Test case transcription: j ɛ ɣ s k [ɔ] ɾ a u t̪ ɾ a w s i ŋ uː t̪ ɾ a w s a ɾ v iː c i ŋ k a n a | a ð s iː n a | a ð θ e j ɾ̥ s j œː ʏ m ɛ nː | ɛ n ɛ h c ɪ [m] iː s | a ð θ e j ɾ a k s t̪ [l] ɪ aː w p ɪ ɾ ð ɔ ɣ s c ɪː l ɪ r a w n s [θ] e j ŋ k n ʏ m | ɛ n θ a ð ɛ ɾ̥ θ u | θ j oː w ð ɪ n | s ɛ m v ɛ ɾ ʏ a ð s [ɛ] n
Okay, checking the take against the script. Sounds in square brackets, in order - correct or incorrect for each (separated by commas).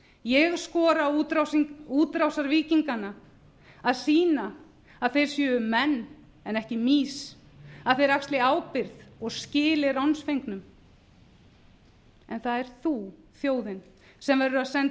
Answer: incorrect, correct, correct, incorrect, correct